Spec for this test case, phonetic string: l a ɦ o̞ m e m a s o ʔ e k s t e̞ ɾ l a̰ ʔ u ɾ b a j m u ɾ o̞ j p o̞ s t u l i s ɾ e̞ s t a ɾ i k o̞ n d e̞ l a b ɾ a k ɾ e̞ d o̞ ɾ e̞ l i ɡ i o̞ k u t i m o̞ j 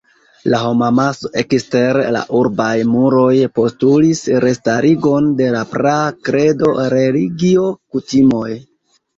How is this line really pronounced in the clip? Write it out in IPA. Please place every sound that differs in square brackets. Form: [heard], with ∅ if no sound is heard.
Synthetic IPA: l a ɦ o̞ m [a] m a s o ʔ e k s t e̞ ɾ l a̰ ʔ u ɾ b a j m u ɾ o̞ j p o̞ s t u l i s ɾ e̞ s t a ɾ i [ɡ] o̞ n d e̞ l a [p] ɾ a k ɾ e̞ d o̞ ɾ e̞ l i ɡ i o̞ k u t i m o̞ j